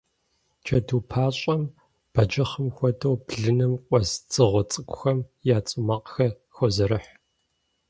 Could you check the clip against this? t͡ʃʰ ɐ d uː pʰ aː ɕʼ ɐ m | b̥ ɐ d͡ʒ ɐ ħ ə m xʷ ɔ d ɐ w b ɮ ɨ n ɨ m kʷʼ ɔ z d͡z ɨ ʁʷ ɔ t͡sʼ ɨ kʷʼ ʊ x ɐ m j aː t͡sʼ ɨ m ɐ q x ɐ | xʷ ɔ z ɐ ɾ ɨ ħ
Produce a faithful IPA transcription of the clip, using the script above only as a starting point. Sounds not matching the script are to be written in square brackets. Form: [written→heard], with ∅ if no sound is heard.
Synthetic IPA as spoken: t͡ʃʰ ɐ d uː pʰ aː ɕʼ ɐ m | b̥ ɐ d͡ʒ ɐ [ħ→χ] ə m xʷ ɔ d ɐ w b ɮ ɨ n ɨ m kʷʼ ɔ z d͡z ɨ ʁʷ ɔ t͡sʼ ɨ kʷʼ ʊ x ɐ m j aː t͡sʼ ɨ m ɐ q x ɐ | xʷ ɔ z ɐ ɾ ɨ ħ